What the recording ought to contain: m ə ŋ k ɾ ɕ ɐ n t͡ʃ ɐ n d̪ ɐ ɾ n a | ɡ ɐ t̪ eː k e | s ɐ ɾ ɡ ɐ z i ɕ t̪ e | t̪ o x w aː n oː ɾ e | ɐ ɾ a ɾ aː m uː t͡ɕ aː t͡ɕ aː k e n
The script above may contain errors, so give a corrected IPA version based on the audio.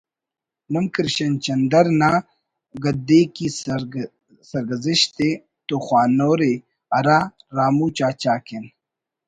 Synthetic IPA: m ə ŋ k ɾ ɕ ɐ n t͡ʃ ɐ n d̪ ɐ ɾ n a | ɡ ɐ d̪ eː k i | s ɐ ɾ ɡ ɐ z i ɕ t̪ e | t̪ o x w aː n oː ɾ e | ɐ ɾ a ɾ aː m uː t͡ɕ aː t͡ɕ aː k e n